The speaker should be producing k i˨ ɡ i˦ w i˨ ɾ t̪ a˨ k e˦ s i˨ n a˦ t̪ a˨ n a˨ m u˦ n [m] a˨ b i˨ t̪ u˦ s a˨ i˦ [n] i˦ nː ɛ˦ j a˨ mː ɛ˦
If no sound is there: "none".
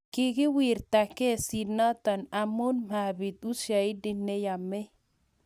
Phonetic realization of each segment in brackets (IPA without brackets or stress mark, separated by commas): m, d